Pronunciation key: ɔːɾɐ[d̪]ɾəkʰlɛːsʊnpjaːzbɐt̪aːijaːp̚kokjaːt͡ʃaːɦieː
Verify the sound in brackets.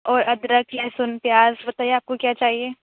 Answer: correct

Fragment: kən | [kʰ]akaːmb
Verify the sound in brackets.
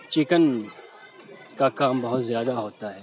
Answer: incorrect: k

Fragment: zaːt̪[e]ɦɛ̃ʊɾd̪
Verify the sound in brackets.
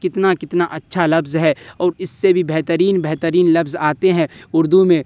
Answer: correct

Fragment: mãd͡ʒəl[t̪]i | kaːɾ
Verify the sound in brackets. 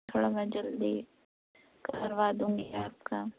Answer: incorrect: d̪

